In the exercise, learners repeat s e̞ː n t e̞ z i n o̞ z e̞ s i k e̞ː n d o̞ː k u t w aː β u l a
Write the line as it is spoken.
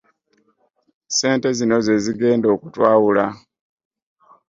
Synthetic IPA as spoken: s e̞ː n t e̞ z i n o̞ z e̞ z i ɡ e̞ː n d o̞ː k u t w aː w u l a